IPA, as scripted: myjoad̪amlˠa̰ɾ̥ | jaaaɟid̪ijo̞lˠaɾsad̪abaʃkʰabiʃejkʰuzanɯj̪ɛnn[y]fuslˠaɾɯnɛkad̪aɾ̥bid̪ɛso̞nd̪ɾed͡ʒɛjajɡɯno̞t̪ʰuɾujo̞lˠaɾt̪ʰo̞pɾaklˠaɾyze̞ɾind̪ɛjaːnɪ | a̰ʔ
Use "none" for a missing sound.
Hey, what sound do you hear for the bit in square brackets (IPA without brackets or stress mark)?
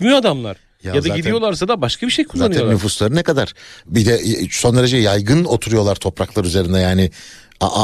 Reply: y